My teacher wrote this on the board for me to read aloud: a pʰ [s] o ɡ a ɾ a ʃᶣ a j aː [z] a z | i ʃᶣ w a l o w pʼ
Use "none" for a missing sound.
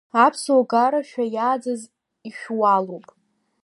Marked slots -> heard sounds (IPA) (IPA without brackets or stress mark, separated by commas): s, d͡z